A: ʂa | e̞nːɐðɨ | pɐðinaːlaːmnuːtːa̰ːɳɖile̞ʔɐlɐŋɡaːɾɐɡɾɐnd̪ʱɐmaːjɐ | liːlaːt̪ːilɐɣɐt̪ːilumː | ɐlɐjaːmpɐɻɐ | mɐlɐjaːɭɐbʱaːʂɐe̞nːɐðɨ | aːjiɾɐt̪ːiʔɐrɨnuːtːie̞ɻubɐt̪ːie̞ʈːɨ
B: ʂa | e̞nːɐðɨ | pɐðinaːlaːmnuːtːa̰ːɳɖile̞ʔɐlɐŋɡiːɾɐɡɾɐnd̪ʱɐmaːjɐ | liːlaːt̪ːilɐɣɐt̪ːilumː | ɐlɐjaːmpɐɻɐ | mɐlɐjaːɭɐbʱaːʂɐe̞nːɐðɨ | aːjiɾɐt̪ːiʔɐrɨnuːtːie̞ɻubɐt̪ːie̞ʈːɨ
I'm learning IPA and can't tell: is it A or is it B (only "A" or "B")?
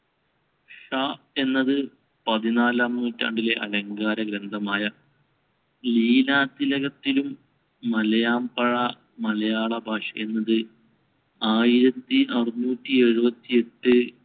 A